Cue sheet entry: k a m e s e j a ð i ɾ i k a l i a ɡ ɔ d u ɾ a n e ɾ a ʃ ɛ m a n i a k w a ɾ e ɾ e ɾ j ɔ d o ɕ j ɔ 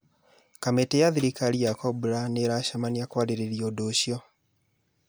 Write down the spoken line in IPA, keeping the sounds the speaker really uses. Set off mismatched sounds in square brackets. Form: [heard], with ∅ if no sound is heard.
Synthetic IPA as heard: k a m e [t] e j a ð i ɾ i k a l i a [k] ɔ [b] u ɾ a n e ɾ a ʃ [a] m a n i a k w a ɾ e ɾ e ɾ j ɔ d o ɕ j ɔ